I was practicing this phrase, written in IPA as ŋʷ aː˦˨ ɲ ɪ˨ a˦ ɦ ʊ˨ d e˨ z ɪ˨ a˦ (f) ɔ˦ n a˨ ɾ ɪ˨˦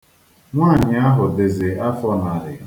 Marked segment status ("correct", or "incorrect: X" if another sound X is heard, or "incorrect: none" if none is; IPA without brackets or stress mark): correct